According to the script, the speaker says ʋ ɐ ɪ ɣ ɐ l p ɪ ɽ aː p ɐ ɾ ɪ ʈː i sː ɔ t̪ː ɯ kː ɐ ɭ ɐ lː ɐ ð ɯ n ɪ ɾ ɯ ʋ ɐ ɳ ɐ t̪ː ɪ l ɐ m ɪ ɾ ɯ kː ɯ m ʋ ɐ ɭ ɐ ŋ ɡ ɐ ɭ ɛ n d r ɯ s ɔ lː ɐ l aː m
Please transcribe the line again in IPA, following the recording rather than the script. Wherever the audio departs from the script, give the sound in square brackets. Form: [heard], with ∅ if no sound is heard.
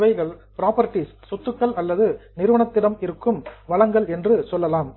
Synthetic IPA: ʋ ɐ ɪ ɣ ɐ [ɭ] p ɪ [ɾ] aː p ɐ ɾ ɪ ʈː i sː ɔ t̪ː ɯ kː ɐ ɭ ɐ lː ɐ ð ɯ n ɪ ɾ ɯ ʋ ɐ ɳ ɐ t̪ː ɪ [ɽ] ɐ m ɪ ɾ ɯ kː ɯ m ʋ ɐ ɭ ɐ ŋ ɡ ɐ ɭ ɛ n d r ɯ s ɔ lː ɐ l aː m